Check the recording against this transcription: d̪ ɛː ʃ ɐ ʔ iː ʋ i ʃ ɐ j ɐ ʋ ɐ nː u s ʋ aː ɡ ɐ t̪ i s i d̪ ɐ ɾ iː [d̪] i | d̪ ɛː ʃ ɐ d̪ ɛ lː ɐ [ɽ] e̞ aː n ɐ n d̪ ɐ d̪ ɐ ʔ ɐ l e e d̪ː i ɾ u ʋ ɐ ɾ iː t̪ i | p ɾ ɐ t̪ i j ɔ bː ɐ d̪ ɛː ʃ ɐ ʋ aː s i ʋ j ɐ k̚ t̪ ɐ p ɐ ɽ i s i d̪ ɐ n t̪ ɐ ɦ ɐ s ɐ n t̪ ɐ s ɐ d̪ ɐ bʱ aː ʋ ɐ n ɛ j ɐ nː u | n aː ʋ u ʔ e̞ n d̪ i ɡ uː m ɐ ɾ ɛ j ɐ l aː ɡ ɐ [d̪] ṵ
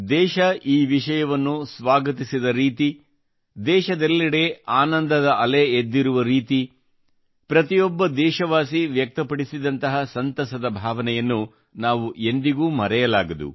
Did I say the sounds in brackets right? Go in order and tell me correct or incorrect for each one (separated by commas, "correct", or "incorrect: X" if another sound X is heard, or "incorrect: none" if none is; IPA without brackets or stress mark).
incorrect: t̪, correct, correct